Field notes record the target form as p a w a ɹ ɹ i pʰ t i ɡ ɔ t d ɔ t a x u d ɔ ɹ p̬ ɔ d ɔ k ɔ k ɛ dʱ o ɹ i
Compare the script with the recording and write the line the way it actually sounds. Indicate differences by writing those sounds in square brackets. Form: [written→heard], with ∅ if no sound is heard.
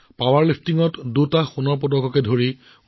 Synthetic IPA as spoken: p a w a ɹ [ɹ→l] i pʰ t i [ɡ→ŋ] ɔ t d [ɔ→u] t a x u [d→n] ɔ ɹ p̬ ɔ d ɔ k ɔ k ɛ dʱ o ɹ i